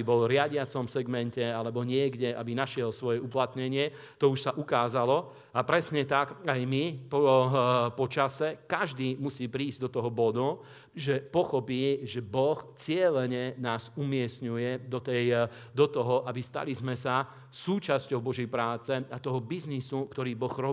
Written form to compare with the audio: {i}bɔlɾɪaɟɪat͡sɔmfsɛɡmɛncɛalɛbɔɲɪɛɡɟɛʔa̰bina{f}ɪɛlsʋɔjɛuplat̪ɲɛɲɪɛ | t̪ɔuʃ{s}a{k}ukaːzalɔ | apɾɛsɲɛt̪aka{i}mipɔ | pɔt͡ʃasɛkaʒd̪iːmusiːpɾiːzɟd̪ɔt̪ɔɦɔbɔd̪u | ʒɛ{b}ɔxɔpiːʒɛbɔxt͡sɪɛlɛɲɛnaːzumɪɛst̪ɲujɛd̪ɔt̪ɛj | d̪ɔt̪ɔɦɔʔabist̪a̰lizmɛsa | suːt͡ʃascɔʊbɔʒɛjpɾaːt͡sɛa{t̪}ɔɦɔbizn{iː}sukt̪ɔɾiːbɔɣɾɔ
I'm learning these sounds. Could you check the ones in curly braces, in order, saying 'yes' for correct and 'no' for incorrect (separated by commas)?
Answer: yes, no, yes, no, no, no, yes, no